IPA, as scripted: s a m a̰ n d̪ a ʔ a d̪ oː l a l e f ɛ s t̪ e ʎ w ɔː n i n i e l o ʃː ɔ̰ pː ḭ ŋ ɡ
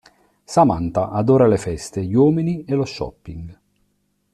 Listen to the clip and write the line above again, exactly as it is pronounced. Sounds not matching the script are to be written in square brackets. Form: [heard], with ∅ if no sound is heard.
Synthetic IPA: s a m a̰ n [t̪] a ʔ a d̪ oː [ɾ] a l e f ɛ s t̪ e ʎ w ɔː [m] i n i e l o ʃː ɔ̰ pː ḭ ŋ ɡ